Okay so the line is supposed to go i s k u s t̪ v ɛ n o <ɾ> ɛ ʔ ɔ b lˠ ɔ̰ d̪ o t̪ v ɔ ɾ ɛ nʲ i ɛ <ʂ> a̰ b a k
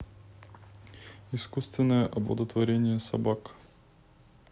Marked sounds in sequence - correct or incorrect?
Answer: incorrect: none, incorrect: s

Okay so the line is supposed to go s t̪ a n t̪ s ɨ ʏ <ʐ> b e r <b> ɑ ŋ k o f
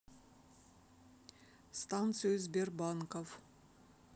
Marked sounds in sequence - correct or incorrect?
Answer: incorrect: z, correct

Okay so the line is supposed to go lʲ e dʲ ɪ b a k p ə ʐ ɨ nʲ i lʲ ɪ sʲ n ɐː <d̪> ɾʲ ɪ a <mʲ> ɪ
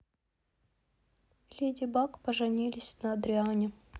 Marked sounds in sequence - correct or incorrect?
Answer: correct, incorrect: nʲ

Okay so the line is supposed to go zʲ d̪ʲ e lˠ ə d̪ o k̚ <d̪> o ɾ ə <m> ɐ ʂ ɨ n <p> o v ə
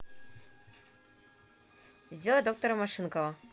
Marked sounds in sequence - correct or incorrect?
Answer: incorrect: t̪, correct, incorrect: k

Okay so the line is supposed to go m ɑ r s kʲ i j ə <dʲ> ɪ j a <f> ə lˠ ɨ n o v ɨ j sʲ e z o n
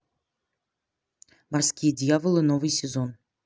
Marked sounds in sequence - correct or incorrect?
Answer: correct, incorrect: v

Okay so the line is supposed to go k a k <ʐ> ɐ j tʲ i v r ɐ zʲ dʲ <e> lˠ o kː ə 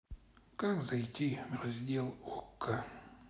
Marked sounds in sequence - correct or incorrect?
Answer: incorrect: z, correct

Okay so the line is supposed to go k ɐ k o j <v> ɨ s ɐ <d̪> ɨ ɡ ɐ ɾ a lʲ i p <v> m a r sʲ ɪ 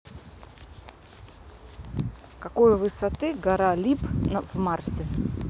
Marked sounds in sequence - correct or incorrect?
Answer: correct, incorrect: t̪, correct

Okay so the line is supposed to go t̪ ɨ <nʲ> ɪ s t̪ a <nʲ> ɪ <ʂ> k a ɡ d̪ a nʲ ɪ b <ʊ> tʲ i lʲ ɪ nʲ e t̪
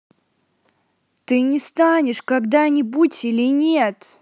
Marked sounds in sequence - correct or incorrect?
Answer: correct, correct, correct, incorrect: u

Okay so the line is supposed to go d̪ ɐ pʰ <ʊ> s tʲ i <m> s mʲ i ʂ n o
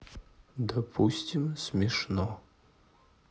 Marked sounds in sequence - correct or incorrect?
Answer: incorrect: u, correct

